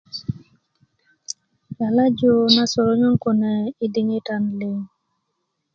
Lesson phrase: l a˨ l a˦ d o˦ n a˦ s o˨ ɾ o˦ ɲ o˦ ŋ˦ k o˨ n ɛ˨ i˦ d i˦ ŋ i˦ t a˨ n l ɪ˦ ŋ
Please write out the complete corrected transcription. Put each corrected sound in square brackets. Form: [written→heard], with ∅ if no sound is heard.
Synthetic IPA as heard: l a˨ l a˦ [d→d͡ʒ] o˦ n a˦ s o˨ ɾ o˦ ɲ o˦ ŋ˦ k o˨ n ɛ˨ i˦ d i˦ ŋ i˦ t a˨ n l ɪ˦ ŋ